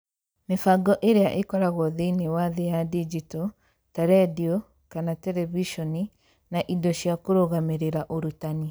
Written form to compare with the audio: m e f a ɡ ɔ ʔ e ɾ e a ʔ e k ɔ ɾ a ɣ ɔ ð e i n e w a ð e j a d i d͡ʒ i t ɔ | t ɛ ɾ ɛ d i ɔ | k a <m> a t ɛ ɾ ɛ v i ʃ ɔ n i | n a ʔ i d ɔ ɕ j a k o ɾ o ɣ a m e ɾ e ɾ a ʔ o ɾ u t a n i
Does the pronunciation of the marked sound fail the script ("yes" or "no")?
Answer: yes